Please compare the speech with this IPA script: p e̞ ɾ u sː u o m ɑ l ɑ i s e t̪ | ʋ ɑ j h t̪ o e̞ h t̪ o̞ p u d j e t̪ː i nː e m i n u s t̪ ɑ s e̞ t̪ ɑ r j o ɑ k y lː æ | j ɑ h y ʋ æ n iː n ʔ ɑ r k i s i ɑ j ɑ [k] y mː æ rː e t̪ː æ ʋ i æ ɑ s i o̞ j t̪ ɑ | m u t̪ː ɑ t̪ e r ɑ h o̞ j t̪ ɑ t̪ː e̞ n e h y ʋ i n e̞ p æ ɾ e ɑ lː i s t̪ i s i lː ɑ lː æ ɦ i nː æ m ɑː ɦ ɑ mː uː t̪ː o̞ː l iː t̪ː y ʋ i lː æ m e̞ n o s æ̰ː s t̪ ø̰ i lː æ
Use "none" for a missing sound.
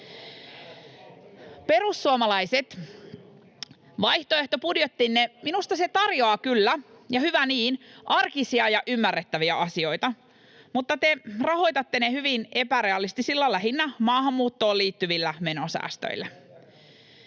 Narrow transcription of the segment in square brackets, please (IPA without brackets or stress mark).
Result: ʔ